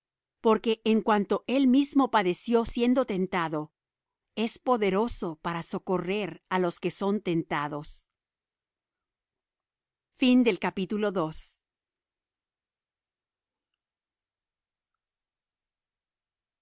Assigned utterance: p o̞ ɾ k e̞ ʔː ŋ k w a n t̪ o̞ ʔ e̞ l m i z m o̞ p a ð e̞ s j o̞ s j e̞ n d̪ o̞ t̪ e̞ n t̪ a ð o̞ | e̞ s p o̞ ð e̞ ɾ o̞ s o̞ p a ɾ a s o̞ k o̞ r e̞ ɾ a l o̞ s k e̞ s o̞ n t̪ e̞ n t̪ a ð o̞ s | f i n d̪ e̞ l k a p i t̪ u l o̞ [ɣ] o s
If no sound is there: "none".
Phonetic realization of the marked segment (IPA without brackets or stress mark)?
ð